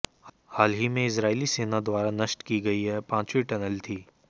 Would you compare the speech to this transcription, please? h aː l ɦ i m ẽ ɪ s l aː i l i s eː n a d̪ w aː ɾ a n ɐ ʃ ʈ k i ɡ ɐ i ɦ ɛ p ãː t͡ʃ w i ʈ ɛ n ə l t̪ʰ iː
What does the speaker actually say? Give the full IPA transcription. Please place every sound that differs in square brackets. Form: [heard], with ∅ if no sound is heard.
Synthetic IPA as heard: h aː l ɦ i m ẽ ɪ s [ɾ] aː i l i s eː n a d̪ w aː ɾ a n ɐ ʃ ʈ k i ɡ ɐ i ɦ ɛ p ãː t͡ʃ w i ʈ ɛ n ə l t̪ʰ iː